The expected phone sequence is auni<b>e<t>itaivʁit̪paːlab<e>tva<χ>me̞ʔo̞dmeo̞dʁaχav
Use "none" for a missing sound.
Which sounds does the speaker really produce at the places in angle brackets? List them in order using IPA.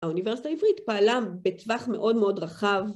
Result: v, s, e, χ

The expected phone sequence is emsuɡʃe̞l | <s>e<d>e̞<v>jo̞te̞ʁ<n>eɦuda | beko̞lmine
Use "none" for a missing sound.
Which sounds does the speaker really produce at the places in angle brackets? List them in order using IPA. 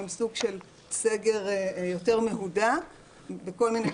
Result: s, ɡ, ʁ, m

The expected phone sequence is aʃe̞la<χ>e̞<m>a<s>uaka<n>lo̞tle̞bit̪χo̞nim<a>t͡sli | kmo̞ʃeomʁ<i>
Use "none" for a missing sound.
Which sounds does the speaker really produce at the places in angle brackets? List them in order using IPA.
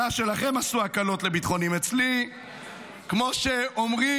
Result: χ, m, s, none, e, i

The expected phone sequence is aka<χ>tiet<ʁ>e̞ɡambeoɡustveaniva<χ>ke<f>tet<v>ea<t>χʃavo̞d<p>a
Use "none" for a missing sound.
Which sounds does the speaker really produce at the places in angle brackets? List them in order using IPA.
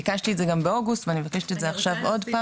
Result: ʃ, z, none, ʃ, z, none, p

